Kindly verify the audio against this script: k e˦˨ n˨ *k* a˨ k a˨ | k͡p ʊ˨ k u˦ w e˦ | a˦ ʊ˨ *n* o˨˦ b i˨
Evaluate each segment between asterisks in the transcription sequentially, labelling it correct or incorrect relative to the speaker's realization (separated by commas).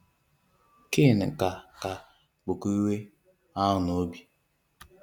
correct, correct